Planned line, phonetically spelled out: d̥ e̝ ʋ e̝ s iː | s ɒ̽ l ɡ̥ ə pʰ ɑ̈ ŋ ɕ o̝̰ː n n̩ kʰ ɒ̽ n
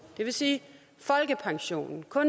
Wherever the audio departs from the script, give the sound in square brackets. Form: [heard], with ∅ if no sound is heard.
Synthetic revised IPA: d̥ e̝ ʋ e̝ s iː | [f] ɒ̽ l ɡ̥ ə pʰ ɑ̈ ŋ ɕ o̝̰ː n n̩ kʰ [ɔ̽] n